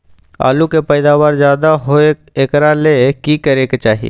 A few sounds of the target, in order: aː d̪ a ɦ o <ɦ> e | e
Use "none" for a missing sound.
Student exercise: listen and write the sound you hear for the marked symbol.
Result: none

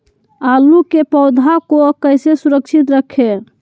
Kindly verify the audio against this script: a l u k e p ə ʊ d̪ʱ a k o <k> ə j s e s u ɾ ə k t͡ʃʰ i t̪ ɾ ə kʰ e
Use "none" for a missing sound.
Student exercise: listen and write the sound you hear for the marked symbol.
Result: k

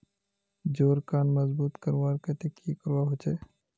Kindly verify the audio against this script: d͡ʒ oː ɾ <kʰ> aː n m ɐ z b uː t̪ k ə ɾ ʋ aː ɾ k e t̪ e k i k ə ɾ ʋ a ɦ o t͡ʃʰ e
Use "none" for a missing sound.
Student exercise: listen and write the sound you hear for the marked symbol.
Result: k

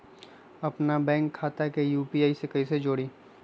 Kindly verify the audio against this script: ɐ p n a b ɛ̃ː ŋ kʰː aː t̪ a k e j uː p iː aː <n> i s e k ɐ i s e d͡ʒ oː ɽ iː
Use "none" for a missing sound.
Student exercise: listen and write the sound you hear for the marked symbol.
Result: none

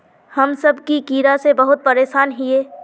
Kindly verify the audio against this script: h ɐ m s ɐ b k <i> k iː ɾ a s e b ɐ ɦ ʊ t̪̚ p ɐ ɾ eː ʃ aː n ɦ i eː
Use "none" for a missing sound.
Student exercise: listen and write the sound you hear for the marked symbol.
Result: i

